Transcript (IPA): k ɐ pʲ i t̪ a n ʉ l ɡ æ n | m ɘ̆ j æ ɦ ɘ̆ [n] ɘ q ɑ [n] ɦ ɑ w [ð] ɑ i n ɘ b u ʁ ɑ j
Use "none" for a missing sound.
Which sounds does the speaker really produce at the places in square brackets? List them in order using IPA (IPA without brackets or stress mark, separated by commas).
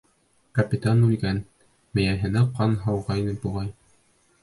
n, n, ʁ